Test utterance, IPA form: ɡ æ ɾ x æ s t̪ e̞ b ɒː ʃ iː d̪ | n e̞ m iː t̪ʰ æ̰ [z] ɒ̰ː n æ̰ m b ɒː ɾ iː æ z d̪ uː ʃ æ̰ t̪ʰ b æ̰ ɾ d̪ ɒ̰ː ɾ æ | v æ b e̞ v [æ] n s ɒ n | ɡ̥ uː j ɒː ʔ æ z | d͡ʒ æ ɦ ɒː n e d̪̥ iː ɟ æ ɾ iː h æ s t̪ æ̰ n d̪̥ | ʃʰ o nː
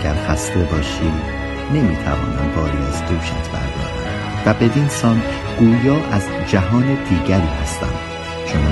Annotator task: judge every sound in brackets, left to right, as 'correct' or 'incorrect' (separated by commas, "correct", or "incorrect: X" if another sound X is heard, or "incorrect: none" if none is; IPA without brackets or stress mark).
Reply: incorrect: v, incorrect: i